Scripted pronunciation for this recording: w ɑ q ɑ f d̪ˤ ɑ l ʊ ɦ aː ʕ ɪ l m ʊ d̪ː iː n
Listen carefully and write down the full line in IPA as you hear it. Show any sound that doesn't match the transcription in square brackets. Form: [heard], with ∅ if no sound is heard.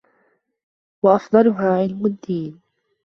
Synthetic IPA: w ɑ [ʔ] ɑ f d̪ˤ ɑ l ʊ ɦ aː ʕ ɪ l m ʊ d̪ː iː n